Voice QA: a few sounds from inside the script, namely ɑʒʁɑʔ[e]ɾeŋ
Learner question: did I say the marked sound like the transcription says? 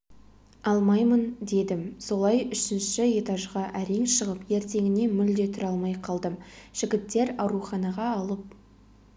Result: no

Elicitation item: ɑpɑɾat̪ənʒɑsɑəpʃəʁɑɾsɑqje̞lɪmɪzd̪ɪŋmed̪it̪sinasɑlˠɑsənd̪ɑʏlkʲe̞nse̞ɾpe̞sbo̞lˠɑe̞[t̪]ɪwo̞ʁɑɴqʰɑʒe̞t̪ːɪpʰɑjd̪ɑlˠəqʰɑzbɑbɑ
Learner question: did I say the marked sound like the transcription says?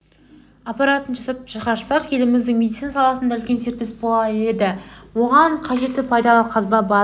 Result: no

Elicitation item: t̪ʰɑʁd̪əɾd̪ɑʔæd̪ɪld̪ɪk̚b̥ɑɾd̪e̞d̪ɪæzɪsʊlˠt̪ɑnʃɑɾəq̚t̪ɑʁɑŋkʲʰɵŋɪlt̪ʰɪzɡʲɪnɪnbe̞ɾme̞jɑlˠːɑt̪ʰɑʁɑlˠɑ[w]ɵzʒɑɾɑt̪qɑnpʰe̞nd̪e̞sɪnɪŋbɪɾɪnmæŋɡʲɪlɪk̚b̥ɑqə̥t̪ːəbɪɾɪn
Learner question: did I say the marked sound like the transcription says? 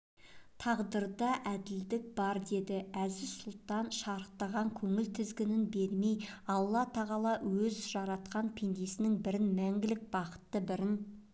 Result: yes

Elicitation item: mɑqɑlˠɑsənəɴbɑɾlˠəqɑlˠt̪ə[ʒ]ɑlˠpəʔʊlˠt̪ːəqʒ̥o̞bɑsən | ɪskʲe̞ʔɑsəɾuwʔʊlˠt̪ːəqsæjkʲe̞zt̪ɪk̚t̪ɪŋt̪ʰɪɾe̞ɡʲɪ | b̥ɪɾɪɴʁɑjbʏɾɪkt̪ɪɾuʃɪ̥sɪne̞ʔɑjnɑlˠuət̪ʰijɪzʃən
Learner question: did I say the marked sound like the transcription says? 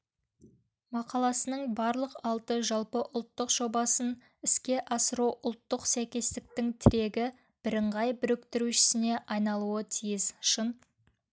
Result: yes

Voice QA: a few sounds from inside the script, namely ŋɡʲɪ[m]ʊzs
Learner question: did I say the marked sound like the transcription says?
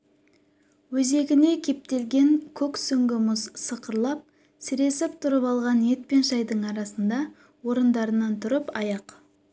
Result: yes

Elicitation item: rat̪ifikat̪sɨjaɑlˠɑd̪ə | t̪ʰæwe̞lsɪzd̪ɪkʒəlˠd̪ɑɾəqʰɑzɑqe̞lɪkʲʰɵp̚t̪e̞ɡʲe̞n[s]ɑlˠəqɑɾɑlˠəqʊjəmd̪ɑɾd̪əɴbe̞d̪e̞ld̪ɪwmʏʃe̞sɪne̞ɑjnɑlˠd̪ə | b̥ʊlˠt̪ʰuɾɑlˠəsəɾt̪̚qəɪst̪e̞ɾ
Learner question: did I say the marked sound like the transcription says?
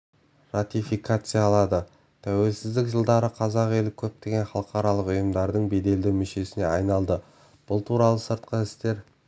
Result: no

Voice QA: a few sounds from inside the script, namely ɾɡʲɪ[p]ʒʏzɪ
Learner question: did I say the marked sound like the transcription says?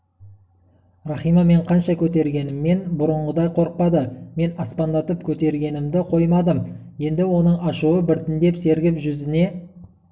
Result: yes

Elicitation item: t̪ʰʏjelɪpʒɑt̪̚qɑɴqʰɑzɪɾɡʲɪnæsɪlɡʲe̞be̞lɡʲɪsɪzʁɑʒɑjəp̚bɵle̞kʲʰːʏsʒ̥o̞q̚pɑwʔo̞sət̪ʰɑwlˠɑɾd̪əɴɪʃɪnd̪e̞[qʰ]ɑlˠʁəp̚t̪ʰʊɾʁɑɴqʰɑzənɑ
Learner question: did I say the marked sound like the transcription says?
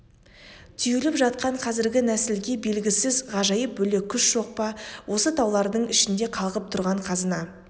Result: yes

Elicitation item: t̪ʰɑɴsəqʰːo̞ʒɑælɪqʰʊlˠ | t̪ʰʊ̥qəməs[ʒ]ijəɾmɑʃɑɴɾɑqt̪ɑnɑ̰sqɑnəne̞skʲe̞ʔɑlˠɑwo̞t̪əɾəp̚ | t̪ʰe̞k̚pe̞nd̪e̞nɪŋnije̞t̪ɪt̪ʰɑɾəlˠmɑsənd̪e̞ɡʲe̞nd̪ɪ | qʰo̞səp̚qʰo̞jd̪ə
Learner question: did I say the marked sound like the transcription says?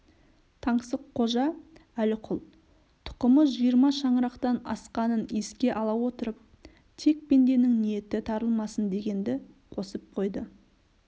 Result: yes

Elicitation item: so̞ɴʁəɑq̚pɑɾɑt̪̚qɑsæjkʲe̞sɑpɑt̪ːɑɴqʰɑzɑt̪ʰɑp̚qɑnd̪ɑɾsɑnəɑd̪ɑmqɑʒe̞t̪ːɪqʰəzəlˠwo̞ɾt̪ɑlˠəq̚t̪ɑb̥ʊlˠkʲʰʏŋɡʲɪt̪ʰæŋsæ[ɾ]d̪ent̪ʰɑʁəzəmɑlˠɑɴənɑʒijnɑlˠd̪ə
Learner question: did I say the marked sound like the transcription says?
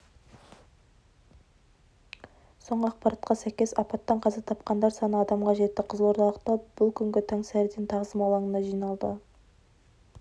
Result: yes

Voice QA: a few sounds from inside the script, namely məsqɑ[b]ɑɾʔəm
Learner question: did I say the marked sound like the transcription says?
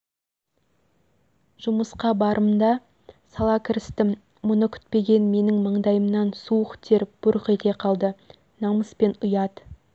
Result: yes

